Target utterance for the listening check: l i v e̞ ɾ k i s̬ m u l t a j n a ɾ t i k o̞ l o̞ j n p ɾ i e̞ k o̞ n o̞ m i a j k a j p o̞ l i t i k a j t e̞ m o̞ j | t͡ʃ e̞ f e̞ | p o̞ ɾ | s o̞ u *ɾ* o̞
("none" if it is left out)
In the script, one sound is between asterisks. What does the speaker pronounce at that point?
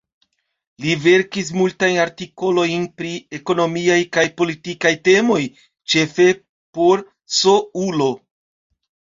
l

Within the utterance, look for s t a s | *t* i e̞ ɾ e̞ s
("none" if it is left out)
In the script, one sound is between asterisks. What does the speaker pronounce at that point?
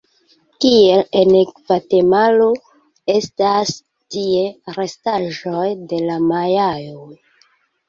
t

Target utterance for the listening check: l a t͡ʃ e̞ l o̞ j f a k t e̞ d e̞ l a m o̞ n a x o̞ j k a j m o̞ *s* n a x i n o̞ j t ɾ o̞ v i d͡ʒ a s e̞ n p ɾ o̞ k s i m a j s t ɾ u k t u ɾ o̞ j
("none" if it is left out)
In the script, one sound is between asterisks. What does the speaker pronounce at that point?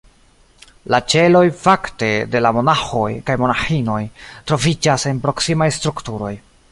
none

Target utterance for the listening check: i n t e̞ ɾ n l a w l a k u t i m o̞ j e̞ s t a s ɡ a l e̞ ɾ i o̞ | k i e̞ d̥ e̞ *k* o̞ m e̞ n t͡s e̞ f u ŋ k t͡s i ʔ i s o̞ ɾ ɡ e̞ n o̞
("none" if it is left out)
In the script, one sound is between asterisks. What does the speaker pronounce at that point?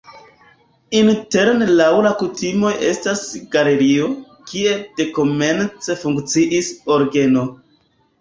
k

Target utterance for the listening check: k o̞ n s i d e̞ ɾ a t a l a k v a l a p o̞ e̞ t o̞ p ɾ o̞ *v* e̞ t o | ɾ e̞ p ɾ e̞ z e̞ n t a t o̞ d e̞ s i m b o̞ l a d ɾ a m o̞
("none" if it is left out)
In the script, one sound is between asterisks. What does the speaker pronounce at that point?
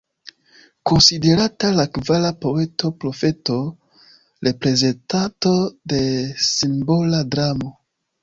f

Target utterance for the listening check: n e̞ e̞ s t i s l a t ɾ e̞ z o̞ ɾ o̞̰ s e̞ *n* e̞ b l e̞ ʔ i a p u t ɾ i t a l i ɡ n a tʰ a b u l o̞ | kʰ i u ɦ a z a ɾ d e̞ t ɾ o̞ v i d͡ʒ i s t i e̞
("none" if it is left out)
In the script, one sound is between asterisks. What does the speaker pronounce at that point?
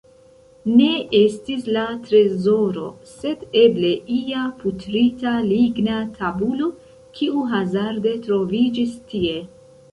d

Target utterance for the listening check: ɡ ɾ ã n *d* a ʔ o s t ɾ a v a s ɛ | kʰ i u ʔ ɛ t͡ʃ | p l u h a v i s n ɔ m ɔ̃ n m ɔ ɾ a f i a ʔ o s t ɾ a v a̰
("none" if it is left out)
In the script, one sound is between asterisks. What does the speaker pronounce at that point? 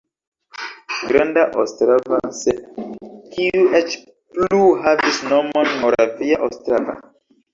d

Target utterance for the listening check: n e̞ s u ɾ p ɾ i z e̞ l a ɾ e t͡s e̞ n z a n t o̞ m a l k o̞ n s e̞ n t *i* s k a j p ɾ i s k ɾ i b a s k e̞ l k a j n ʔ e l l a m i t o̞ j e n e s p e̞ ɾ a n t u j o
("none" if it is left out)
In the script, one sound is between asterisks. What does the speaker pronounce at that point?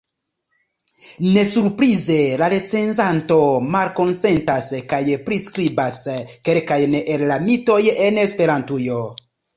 a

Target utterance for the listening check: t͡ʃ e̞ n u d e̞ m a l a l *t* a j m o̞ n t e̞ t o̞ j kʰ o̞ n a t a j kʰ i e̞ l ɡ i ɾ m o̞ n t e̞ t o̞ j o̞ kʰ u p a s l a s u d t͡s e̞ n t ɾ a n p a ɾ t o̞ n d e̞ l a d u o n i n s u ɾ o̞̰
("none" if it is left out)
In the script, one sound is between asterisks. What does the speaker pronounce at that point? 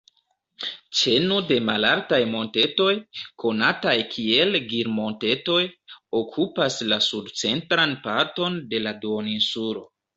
t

